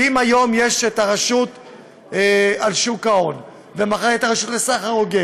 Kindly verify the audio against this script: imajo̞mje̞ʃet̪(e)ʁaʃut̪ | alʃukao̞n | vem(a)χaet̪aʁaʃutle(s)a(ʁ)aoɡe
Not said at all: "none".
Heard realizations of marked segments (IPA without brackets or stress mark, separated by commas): a, a, s, χ